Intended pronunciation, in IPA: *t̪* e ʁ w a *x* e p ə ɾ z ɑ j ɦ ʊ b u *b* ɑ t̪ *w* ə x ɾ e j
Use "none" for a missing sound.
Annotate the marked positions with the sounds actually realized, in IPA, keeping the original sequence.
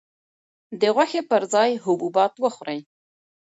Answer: d̪, x, b, w

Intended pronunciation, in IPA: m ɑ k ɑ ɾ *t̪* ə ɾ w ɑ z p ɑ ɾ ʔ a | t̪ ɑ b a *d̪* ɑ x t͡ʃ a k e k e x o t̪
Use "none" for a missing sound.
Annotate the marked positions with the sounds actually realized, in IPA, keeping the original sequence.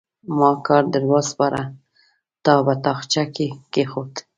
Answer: d̪, t̪

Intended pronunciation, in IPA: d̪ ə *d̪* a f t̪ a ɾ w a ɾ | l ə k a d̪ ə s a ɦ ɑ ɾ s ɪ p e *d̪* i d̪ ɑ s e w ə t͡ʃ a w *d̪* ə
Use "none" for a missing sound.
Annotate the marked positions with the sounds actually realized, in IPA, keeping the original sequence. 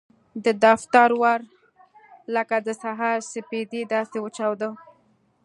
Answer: d̪, d̪, d̪

